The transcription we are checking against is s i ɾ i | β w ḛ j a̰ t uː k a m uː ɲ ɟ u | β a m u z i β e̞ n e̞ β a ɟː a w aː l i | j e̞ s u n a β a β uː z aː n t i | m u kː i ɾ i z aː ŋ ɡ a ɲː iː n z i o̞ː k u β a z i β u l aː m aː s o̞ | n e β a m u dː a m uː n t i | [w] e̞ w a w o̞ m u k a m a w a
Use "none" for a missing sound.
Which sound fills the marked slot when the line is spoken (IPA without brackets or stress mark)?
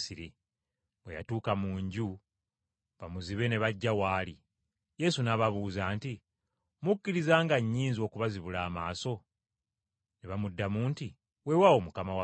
w